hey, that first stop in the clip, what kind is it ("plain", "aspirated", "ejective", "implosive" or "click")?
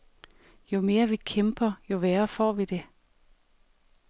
aspirated